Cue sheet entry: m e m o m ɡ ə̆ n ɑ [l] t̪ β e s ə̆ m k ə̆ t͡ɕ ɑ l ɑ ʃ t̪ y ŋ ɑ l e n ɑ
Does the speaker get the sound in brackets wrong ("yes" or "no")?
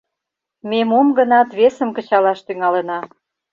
yes